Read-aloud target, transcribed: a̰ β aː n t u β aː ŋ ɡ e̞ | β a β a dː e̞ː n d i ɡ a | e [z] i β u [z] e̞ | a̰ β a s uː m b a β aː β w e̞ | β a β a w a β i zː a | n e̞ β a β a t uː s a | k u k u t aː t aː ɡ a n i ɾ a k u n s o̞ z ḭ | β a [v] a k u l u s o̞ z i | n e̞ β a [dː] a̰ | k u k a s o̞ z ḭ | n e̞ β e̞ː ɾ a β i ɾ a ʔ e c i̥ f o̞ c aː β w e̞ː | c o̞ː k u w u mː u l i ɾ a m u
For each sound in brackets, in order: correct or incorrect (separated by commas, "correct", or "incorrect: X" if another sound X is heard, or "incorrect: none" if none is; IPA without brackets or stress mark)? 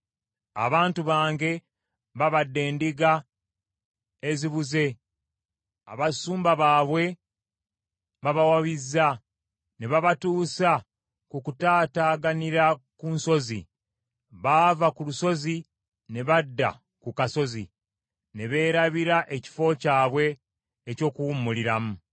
correct, correct, correct, correct